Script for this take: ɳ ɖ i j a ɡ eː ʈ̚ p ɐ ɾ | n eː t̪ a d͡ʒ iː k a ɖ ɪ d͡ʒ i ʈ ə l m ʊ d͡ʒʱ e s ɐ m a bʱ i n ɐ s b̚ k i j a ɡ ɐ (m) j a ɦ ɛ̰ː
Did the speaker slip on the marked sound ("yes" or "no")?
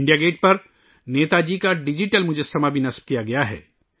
yes